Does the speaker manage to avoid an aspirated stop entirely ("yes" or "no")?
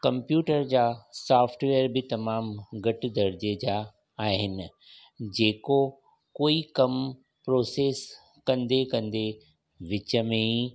yes